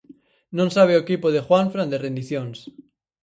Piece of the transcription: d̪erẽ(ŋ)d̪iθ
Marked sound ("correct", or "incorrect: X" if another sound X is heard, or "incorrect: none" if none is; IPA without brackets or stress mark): incorrect: n